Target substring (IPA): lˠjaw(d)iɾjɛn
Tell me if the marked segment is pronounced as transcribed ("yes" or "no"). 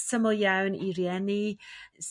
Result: no